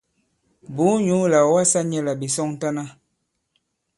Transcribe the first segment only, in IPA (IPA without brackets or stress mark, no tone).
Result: b